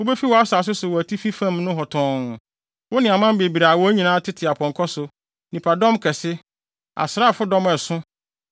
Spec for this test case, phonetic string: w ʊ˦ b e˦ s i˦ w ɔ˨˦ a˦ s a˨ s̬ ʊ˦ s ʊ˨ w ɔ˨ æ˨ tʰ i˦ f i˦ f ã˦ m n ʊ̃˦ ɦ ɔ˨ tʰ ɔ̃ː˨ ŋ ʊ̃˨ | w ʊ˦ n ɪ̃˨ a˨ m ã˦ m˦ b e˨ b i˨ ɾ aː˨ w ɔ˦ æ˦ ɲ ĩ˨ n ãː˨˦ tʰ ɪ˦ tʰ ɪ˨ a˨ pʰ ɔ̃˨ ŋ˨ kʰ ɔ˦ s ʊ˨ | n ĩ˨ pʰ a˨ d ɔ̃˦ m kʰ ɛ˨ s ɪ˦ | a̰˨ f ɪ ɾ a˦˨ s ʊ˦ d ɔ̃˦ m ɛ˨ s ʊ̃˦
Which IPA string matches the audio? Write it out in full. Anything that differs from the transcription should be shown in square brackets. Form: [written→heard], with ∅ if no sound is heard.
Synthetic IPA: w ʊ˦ b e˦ [s→f] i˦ w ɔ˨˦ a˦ s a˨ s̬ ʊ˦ s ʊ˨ w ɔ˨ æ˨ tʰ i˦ f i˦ f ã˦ m n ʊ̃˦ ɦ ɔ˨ tʰ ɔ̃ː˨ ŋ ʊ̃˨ | w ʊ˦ n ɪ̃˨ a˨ m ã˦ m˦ b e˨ b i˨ ɾ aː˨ w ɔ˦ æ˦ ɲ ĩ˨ n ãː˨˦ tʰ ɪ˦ tʰ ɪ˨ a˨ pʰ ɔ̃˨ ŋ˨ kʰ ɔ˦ s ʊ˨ | n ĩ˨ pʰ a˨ d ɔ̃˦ m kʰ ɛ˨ s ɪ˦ | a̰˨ [f→s] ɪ ɾ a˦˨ [s→f] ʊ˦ d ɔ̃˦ m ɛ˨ s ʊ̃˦